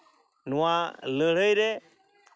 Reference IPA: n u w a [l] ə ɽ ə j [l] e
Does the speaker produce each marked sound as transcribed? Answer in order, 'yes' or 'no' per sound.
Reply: yes, no

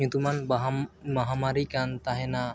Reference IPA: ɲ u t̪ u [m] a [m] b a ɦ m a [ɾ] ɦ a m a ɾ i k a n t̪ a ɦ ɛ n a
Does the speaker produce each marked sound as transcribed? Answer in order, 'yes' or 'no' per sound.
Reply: yes, no, no

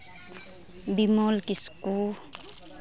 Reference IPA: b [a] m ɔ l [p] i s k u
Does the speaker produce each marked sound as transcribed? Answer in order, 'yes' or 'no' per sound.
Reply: no, no

